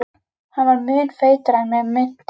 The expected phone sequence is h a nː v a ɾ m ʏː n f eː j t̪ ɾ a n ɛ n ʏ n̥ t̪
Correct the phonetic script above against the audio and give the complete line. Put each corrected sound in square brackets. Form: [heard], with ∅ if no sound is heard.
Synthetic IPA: h a [n] v a ɾ m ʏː n f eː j t̪ ɾ a [m] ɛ [m] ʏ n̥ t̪